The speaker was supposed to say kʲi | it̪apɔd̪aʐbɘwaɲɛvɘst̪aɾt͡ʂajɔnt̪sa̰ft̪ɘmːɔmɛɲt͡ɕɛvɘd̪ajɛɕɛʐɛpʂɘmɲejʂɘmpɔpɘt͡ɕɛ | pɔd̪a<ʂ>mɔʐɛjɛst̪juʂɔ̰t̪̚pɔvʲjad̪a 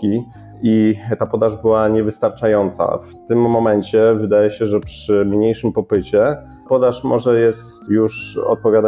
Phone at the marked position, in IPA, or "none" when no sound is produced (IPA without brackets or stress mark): ʂ